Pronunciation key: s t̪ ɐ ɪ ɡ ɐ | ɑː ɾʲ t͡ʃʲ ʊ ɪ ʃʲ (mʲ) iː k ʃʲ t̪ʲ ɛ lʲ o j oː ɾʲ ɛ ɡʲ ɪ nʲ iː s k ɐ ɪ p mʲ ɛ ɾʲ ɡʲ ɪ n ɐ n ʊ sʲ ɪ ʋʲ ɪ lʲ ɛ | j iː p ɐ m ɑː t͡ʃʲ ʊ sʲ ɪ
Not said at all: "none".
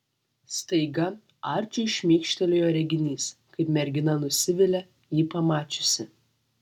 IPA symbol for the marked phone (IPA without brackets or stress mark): mʲ